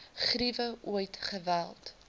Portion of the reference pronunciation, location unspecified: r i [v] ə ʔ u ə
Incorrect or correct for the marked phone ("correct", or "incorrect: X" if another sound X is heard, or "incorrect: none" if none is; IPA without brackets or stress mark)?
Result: correct